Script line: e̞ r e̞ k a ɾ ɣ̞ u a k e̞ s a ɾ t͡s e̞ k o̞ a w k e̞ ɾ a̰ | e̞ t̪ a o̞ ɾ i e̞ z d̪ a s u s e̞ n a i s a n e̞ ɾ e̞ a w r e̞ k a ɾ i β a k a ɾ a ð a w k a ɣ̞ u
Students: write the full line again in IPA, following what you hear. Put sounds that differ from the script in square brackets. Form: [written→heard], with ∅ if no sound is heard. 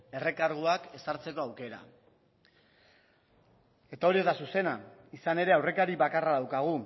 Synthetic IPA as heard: e̞ r e̞ k a ɾ ɣ̞ u a k e̞ s a ɾ t͡s e̞ k o̞ a w k e̞ ɾ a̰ | e̞ t̪ a o̞ ɾ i e̞ z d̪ a s u s e̞ n a i s a n e̞ ɾ e̞ a w r e̞ k a ɾ i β a k a [ɾ→r] a ð a w k a ɣ̞ u